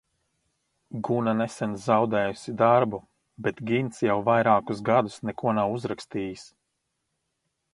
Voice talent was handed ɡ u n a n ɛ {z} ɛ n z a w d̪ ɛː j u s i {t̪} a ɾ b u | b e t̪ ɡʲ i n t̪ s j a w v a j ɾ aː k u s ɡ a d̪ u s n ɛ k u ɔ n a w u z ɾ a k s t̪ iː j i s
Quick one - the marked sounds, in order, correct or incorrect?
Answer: incorrect: s, incorrect: d̪

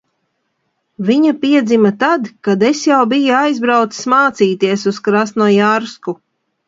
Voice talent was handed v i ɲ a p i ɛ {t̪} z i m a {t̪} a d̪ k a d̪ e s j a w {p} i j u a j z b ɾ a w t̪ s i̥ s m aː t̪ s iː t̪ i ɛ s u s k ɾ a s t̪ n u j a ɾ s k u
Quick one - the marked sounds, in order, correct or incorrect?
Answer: incorrect: d̪, correct, incorrect: b

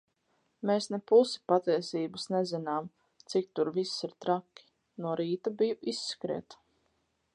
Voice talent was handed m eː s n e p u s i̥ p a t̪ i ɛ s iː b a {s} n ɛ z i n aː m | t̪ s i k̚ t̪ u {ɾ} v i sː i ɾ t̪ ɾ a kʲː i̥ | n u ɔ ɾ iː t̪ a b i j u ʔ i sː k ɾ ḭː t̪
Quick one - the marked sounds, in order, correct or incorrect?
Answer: correct, correct

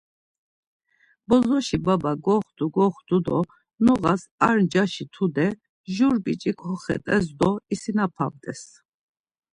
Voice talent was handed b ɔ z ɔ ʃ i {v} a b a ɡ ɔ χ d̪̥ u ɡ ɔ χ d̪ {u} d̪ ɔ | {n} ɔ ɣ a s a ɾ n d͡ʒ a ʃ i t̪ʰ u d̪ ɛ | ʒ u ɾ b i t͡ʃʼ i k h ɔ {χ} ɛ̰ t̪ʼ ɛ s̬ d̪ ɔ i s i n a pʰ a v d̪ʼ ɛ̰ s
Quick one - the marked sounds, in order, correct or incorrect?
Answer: incorrect: b, correct, correct, correct

